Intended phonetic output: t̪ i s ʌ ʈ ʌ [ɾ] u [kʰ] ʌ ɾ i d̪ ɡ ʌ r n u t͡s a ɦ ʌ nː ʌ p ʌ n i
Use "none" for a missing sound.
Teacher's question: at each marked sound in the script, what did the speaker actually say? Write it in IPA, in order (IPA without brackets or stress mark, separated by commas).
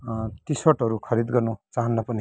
ɾ, kʰ